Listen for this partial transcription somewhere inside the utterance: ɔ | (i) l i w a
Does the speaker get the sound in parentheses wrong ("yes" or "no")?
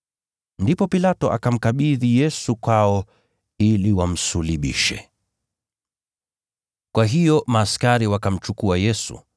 no